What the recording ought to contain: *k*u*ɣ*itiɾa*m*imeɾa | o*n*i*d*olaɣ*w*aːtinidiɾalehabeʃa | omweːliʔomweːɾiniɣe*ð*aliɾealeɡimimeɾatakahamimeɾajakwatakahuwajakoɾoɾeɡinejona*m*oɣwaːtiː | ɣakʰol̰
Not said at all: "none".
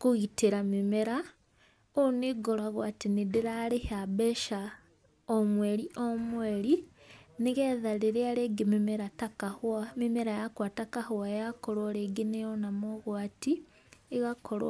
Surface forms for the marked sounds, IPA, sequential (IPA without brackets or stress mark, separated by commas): k, ɣ, m, n, ɡ, w, ð, m